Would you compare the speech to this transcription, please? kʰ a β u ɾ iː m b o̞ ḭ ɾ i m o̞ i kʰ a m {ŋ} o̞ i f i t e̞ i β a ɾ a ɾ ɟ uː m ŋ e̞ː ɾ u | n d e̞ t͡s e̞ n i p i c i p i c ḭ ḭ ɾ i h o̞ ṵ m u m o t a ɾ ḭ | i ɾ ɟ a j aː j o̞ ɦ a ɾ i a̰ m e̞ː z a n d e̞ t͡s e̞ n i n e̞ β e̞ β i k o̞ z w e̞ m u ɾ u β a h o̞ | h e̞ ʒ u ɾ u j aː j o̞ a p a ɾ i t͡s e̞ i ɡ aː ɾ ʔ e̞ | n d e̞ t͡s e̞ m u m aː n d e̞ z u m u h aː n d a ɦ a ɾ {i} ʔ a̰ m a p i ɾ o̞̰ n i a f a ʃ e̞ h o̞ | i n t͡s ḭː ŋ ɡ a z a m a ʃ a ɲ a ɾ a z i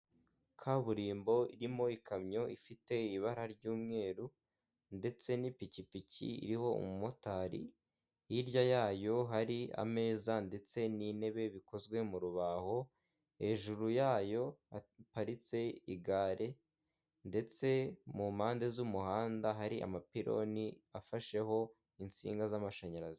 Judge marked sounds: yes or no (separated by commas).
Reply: no, yes